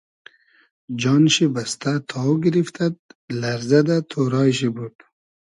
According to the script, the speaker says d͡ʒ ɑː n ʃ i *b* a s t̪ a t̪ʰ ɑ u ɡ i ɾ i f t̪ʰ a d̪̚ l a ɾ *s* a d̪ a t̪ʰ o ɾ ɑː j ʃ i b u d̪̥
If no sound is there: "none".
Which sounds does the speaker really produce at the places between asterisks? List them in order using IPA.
b, z

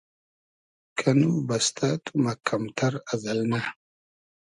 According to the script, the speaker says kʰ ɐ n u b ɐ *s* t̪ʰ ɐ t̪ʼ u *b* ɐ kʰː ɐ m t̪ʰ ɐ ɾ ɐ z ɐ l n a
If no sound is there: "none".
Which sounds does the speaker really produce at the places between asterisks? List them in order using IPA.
s, m

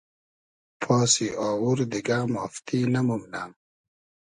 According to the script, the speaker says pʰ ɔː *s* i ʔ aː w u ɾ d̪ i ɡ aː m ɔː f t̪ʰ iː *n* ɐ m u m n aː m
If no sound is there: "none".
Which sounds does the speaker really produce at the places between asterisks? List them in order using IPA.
s, n

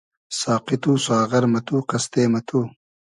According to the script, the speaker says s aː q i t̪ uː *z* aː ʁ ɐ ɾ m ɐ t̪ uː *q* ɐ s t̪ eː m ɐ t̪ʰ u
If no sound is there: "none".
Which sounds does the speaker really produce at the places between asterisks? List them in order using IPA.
s, q

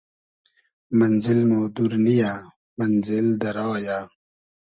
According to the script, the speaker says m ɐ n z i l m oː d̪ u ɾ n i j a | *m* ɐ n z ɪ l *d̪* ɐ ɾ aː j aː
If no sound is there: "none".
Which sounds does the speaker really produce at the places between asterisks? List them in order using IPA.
m, d̪

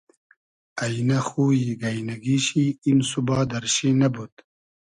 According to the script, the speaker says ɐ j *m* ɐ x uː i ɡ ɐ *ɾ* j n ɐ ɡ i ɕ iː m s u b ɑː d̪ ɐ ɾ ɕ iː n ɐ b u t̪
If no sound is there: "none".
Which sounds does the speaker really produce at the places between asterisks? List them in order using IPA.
n, none

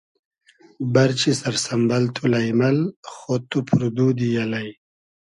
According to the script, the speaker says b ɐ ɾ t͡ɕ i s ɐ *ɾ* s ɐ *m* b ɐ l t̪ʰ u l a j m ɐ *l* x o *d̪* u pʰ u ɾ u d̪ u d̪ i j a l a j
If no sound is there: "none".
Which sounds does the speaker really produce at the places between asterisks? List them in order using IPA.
ɾ, m, l, t̪

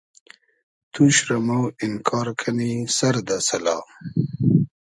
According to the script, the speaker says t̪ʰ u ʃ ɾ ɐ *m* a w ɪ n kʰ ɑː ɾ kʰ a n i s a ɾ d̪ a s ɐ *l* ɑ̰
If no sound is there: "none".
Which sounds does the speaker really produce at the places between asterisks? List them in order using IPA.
m, l

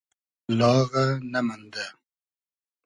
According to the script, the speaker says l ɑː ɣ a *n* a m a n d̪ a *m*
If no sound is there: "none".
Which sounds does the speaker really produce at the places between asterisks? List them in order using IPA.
n, none

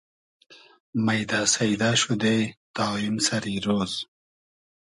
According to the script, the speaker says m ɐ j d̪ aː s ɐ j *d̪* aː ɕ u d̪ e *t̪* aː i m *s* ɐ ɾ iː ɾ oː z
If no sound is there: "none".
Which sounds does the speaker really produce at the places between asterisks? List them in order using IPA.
d̪, t̪, s

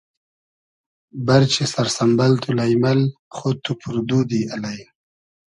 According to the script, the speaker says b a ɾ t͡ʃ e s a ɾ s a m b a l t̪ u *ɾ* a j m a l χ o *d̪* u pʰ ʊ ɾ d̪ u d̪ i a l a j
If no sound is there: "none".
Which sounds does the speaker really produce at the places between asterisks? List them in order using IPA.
l, t̪

